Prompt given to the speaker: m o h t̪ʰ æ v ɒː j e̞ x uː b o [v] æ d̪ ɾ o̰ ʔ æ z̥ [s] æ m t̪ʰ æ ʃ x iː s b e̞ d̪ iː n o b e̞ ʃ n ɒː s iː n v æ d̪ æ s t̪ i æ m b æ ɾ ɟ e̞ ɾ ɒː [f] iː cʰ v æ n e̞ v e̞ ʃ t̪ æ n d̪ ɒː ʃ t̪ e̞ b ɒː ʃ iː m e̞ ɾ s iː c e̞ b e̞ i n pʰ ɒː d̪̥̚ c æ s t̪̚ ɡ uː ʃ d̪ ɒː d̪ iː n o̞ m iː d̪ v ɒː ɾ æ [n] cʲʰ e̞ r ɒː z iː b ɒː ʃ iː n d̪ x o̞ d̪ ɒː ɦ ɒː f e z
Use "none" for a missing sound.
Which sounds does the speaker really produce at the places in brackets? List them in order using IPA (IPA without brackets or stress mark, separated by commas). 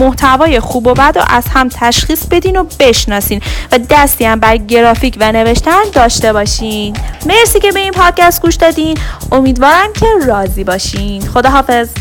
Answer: b, h, f, m